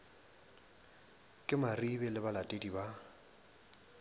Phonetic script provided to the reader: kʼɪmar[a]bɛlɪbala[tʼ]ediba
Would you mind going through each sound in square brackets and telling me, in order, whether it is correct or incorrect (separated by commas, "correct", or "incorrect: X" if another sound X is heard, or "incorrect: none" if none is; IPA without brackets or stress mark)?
incorrect: i, correct